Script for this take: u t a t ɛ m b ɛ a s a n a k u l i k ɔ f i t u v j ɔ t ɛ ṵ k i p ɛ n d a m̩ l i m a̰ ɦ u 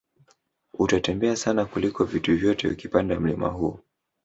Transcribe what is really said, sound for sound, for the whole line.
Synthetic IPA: u t a t ɛ m b ɛ a s a n a k u l i k ɔ v i t u v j ɔ t ɛ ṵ k i p a n d a m̩ l i m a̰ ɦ u